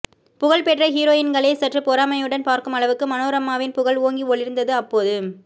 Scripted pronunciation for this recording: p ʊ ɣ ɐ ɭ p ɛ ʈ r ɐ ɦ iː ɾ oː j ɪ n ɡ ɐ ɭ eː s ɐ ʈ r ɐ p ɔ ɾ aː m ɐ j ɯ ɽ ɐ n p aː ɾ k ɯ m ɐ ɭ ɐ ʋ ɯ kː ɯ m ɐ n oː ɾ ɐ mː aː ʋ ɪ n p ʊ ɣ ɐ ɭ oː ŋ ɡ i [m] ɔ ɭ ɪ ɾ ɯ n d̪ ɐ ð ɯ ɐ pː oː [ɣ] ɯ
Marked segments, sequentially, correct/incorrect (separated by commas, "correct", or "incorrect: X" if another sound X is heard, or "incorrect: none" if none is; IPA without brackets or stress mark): incorrect: none, incorrect: ð